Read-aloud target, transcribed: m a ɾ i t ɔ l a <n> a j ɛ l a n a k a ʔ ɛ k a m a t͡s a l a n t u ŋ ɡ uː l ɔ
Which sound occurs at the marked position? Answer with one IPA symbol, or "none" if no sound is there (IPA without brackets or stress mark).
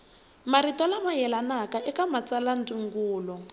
m